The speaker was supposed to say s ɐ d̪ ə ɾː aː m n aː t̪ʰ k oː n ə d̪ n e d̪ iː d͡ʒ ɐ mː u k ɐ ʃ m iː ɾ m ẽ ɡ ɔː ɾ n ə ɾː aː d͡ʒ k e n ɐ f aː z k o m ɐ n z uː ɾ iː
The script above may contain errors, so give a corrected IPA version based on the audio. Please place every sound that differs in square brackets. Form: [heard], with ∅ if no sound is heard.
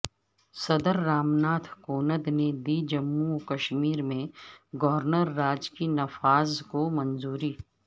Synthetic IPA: s ɐ d̪ ə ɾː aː m n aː t̪ʰ k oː n ə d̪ n e d̪ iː d͡ʒ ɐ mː u k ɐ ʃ m iː ɾ m ẽ ɡ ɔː ɾ n ə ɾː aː d͡ʒ k [i] n ɐ f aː z k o m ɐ n z uː ɾ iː